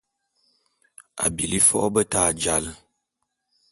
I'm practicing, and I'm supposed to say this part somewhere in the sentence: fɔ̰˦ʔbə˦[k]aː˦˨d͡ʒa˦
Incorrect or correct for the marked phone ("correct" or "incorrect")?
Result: incorrect